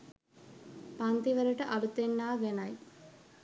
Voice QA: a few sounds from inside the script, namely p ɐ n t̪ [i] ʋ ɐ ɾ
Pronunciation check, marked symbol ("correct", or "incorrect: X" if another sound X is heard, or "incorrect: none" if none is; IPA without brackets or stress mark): correct